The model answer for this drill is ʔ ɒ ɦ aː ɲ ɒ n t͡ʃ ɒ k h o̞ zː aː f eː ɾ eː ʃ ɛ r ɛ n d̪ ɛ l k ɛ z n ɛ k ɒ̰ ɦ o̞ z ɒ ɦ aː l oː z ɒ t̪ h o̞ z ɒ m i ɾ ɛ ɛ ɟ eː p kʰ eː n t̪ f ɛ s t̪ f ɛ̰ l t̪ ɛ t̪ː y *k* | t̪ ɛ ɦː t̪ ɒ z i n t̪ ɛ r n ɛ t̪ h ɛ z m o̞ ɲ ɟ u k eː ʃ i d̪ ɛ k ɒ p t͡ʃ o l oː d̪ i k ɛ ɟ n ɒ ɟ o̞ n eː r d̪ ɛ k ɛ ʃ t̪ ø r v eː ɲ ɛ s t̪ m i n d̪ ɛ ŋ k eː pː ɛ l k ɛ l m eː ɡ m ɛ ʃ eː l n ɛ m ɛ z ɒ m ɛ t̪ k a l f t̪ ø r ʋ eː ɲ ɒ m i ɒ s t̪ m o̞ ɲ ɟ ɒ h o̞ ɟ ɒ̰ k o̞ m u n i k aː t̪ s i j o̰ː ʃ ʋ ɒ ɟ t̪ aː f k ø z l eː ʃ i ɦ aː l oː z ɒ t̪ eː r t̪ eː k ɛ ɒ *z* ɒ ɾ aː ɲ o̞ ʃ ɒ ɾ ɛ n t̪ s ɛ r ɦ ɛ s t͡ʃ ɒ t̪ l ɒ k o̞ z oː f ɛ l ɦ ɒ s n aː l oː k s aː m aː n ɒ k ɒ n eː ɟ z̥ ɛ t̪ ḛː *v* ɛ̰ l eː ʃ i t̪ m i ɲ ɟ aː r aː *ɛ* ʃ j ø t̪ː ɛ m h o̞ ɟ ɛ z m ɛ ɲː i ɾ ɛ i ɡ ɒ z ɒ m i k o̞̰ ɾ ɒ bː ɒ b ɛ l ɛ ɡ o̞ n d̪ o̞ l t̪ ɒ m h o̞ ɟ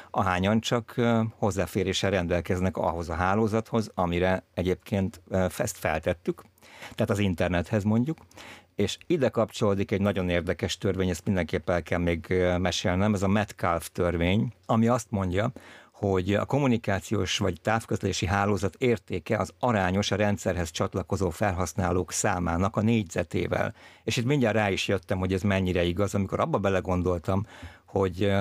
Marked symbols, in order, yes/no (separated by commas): yes, yes, yes, no